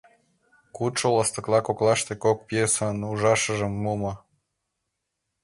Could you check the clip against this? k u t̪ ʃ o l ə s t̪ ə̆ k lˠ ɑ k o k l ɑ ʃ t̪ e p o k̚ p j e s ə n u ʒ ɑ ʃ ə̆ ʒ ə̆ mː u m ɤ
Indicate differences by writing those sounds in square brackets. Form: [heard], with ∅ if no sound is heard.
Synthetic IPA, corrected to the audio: k u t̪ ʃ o l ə s t̪ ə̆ k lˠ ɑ k o k l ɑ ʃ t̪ e [k] o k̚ p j e s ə n u ʒ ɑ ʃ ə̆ ʒ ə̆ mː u m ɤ